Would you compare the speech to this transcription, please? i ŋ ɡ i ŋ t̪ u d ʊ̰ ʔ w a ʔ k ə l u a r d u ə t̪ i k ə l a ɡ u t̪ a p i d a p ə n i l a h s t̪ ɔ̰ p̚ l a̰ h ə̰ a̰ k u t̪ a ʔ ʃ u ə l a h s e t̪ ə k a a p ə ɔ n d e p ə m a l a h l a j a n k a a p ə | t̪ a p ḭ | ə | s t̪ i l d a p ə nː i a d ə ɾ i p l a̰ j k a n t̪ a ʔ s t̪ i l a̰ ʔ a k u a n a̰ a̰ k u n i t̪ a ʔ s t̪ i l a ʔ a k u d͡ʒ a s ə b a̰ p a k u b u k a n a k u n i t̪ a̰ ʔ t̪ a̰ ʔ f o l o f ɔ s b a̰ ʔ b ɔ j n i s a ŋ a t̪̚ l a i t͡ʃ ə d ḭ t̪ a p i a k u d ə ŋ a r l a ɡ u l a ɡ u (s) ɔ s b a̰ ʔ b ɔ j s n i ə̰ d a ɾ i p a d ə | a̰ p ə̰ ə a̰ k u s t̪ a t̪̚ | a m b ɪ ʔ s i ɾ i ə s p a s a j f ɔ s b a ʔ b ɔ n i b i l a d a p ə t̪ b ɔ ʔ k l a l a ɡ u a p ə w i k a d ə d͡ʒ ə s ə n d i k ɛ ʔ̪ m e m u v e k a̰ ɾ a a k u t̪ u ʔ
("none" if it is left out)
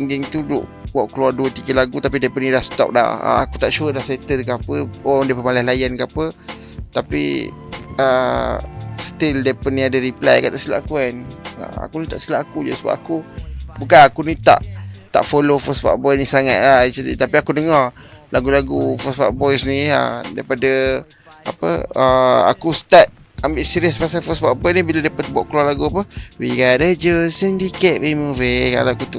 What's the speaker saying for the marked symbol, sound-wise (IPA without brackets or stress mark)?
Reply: f